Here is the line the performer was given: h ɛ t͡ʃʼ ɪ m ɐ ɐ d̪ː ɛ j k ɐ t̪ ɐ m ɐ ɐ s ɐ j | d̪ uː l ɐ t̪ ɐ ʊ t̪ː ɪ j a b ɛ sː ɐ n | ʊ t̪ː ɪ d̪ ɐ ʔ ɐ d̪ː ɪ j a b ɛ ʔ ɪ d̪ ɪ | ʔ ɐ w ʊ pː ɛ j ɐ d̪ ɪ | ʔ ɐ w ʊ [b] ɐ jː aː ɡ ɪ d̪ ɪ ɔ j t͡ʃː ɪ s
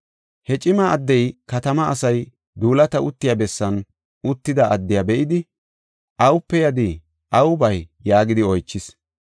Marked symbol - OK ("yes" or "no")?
yes